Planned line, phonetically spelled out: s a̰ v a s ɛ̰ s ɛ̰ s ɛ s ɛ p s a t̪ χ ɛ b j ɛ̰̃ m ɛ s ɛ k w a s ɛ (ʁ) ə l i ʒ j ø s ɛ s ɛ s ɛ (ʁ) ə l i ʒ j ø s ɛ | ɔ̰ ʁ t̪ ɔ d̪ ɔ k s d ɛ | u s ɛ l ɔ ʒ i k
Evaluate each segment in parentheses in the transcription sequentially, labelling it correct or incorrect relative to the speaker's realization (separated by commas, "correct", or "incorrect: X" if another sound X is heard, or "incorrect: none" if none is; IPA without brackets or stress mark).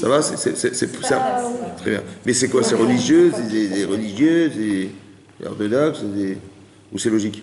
correct, correct